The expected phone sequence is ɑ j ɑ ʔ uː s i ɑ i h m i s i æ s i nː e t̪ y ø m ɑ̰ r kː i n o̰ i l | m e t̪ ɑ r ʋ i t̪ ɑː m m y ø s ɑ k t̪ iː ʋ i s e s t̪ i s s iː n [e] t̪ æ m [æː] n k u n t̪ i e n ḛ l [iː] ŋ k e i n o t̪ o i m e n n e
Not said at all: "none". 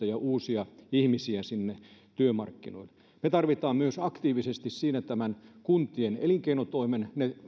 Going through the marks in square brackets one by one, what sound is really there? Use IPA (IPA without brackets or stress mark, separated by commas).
æ, æ, i